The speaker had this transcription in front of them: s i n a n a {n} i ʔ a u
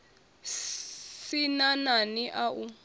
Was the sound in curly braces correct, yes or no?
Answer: yes